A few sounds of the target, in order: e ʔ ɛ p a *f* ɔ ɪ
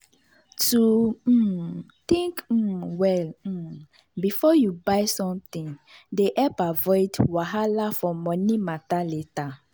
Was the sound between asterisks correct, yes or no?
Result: no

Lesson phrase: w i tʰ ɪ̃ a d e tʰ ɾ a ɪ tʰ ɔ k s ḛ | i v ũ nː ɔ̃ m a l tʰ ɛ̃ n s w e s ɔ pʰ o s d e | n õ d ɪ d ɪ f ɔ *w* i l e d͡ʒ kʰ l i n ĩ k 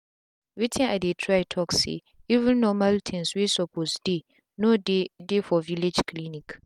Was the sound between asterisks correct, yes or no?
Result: no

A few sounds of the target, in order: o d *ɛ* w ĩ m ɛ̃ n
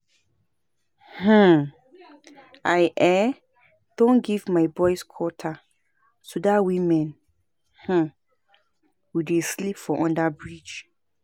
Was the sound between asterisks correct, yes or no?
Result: no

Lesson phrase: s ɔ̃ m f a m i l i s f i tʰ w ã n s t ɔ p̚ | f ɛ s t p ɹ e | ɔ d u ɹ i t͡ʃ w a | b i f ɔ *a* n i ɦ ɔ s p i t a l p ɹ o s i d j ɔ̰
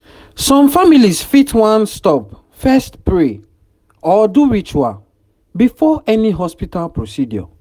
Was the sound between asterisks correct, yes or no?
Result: no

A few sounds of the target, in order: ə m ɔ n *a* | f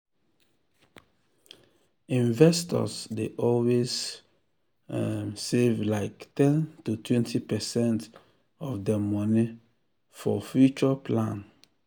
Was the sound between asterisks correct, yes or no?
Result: no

